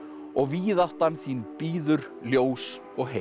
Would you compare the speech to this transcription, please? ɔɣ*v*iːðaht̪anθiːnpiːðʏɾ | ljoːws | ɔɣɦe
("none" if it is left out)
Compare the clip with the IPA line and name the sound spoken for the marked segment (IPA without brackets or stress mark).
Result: v